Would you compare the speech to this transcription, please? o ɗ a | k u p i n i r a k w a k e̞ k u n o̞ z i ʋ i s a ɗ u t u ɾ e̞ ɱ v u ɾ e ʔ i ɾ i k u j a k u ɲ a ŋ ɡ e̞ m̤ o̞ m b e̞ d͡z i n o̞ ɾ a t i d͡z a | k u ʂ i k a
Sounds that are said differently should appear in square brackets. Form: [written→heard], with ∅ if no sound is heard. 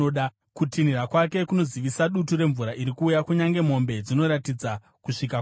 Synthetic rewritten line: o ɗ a | k u [p→t] i n i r a k w a k e̞ k u n o̞ z i ʋ i s a ɗ u t u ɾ e̞ ɱ v u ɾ [e→a] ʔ i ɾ i k [u→uː] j a k u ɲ a ŋ ɡ e̞ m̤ o̞ m b e̞ d͡z i n o̞ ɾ a t i d͡z a | k u ʂ i k a